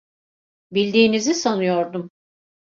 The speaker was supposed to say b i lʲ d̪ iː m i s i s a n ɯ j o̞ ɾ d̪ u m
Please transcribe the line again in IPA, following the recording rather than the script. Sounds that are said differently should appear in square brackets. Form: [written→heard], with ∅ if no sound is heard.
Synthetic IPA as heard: b i lʲ d̪ iː [m→n] i [s→z] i s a n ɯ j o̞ ɾ d̪ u m